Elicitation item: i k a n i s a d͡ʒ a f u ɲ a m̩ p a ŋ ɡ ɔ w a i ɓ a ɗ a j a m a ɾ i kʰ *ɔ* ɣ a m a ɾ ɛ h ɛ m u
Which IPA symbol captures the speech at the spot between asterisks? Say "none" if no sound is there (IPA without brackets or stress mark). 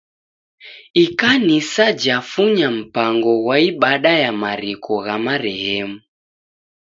ɔ